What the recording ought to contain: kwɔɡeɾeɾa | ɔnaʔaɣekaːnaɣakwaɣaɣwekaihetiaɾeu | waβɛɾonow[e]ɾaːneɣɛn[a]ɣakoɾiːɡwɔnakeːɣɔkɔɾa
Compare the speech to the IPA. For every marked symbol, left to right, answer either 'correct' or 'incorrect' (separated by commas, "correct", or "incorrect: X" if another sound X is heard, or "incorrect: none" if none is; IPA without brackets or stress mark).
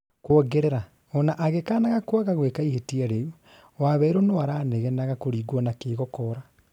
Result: incorrect: a, correct